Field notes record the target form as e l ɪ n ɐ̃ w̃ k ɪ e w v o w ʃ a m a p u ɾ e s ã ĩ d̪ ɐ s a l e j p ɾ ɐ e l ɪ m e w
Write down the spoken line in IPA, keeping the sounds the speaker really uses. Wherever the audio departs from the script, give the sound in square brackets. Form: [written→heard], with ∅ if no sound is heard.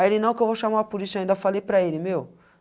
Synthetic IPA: e l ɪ n ɐ̃ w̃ k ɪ e w v o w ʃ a m a p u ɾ [e→i] s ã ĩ d̪ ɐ [s→f] a l e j p ɾ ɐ e l ɪ m e w